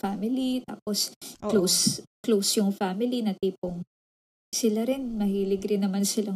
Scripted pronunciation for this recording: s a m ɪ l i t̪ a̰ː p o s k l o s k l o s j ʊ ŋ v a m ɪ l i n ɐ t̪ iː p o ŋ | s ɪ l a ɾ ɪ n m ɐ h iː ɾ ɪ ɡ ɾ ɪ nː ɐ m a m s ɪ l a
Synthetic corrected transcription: f a m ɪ l i t̪ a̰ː p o s k l o s k l o s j ʊ ŋ f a m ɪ l i n ɐ t̪ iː p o ŋ | s ɪ l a ɾ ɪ n m ɐ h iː l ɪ ɡ ɾ ɪ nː ɐ m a n s ɪ l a